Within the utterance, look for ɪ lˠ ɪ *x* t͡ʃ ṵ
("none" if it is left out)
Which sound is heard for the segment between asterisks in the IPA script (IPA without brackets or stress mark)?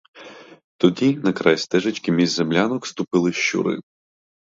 ʃ